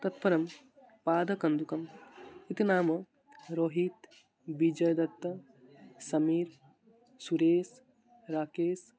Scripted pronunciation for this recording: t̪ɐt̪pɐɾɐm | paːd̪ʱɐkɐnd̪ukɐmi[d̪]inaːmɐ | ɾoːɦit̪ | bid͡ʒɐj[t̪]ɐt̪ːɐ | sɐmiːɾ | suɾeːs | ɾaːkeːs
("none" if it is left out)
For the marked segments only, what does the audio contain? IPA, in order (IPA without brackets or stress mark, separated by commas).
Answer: t̪, d̪